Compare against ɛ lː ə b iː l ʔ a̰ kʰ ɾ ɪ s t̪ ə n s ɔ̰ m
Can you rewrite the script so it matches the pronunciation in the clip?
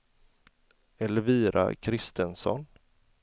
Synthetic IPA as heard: ɛ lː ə v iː ɾ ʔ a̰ kʰ ɾ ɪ s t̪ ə n s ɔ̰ n

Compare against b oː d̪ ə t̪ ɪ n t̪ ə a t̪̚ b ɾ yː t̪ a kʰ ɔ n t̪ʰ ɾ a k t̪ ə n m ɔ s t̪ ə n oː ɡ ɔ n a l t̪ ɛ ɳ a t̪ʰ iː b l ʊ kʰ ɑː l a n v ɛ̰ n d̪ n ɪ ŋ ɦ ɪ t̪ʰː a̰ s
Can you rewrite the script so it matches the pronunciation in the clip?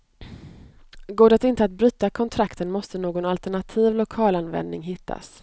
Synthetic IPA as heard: ɡ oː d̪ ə t̪ ɪ n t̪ ə a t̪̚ b ɾ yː t̪ a kʰ ɔ n t̪ʰ ɾ a k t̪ ə n m ɔ s t̪ ə n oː ɡ ɔ n a l t̪ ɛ ɳ a t̪ʰ iː v l ʊ kʰ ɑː l a n v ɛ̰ n d̪ n ɪ ŋ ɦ ɪ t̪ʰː a̰ s

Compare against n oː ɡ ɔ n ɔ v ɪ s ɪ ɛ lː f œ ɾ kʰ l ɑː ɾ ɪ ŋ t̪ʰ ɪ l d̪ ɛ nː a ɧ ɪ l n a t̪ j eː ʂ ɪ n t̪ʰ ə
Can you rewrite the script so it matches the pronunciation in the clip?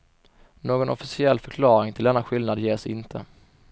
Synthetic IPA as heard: n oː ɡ ɔ n ɔ f ɪ s ɪ ɛ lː f œ ɾ kʰ l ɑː ɾ ɪ ŋ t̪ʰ ɪ l d̪ ɛ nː a ɧ ɪ l n a d̪ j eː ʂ ɪ n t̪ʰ ə

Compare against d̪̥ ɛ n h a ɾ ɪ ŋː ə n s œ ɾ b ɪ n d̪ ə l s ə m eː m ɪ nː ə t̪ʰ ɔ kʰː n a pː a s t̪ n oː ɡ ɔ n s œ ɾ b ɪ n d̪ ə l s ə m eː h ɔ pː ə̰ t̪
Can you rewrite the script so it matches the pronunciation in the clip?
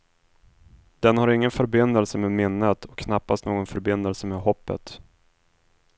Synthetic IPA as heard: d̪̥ ɛ n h a ɾ ɪ ŋː ə n f œ ɾ b ɪ n d̪ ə l s ə m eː m ɪ nː ə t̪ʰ ɔ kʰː n a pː a s t̪ n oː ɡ ɔ n f œ ɾ b ɪ n d̪ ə l s ə m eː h ɔ pː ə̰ t̪

